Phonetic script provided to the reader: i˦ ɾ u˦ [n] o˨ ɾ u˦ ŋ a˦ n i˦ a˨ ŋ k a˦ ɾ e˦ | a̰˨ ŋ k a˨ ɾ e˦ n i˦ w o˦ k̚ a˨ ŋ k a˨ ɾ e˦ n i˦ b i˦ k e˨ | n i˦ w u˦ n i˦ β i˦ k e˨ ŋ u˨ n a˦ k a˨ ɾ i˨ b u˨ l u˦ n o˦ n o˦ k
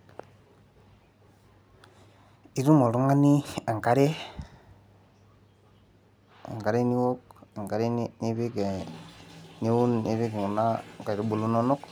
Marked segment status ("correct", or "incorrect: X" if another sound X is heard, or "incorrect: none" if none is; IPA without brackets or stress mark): incorrect: m